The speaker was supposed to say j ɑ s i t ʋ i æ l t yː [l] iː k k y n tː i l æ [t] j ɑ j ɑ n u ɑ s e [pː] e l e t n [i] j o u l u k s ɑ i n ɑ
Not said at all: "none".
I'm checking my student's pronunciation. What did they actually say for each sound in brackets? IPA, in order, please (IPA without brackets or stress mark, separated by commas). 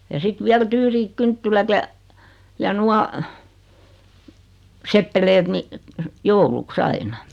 r, t, pː, i